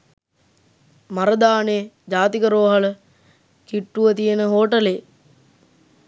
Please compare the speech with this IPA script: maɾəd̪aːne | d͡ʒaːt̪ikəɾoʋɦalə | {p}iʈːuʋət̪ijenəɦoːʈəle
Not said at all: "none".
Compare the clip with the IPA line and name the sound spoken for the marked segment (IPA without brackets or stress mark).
k